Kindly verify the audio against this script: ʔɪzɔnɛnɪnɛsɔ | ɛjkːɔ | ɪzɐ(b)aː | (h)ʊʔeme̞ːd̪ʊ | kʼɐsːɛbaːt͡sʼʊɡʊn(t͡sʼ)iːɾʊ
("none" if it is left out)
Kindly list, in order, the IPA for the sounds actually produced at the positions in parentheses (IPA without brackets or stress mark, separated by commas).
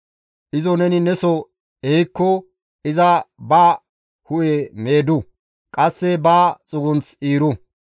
b, h, t͡s